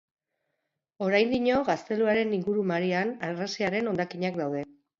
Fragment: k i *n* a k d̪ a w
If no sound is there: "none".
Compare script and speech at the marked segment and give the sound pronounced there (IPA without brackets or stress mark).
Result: ɲ